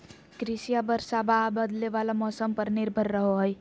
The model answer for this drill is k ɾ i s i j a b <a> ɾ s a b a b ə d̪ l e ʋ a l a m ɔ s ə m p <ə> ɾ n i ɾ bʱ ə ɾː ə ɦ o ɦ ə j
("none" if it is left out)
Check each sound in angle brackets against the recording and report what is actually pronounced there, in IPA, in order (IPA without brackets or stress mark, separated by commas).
ə, ə